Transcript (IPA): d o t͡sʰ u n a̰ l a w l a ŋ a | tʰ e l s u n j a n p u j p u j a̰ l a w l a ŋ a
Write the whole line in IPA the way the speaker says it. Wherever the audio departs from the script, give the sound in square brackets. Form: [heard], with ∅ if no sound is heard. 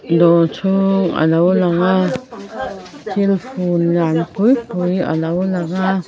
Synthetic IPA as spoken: d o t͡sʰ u [ŋ] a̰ l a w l a ŋ a | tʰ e l [f] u n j a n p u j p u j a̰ l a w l a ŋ a

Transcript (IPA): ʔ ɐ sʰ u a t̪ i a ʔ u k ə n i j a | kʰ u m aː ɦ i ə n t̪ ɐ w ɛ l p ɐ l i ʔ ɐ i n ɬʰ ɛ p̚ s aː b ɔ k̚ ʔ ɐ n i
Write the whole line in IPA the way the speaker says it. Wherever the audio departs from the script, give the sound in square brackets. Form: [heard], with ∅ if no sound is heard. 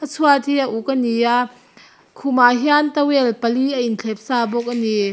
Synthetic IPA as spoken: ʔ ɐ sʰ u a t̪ i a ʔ u k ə n i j a | kʰ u m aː ɦ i [a] n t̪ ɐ w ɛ l p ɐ l i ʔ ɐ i n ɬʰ ɛ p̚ s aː b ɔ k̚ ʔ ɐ n i

